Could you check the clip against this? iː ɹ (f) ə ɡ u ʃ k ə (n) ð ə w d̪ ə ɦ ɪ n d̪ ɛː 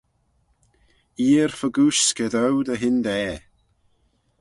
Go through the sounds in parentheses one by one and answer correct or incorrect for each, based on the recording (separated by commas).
correct, incorrect